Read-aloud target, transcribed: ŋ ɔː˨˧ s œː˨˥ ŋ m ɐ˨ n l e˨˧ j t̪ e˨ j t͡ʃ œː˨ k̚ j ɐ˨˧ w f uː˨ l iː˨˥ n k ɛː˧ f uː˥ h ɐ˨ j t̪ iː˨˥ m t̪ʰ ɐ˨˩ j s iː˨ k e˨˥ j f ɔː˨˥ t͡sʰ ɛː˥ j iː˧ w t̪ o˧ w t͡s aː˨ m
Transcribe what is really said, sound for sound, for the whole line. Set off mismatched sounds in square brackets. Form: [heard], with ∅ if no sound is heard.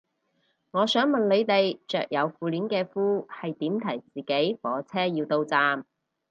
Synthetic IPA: ŋ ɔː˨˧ s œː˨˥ ŋ m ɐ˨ n l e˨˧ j t̪ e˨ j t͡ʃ œː˨ k̚ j ɐ˨˧ w f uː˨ l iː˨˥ n k ɛː˧ f uː˥ h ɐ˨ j t̪ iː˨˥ m t̪ʰ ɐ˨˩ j [t͡s] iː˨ k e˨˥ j f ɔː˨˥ t͡sʰ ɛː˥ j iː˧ w t̪ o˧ w t͡s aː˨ m